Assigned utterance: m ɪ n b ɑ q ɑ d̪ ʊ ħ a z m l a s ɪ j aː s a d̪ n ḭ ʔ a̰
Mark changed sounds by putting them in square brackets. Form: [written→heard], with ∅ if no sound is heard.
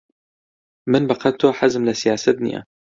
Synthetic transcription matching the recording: m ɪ n b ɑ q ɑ [d̪→t̪] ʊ ħ a z m l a s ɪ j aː s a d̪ n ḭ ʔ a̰

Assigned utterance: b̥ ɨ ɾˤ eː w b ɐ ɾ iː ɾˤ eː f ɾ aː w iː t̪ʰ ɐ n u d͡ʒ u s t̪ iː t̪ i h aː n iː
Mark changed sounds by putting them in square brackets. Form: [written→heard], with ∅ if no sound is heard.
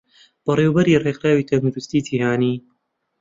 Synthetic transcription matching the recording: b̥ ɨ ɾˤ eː w b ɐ ɾ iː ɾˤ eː [f→x] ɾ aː w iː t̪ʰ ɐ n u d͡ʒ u s t̪ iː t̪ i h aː n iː

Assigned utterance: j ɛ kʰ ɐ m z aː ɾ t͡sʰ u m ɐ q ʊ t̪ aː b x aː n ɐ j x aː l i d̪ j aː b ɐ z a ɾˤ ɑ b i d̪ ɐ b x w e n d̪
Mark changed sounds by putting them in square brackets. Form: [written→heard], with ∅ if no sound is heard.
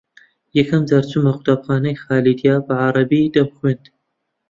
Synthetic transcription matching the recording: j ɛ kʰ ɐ m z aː ɾ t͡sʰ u m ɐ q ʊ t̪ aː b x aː n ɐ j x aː l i d̪ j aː b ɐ [z→ʕ] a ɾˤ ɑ b i d̪ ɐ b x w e n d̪

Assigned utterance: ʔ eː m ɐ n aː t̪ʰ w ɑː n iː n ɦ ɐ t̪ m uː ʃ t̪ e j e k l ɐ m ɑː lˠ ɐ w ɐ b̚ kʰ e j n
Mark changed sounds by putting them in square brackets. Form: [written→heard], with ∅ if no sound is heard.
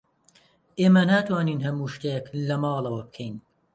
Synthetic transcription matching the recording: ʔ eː m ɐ n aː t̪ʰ w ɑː n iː n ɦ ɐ [t̪→∅] m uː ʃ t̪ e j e k l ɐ m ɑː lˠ ɐ w ɐ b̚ kʰ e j n

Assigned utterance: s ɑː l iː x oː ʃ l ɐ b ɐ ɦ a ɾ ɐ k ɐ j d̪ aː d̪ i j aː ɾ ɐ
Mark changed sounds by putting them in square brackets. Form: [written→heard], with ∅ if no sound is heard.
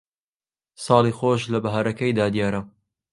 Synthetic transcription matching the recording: s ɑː l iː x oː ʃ l ɐ b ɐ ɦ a ɾ ɐ k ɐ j d̪ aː d̪ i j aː ɾ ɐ

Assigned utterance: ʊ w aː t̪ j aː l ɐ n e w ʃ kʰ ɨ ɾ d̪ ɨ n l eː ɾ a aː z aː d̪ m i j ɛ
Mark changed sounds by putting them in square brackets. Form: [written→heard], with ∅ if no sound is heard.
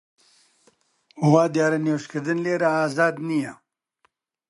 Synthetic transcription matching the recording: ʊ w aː [t̪→d̪] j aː [l→ɾ] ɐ n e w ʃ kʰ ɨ ɾ d̪ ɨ n l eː ɾ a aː z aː d̪ [m→n] i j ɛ

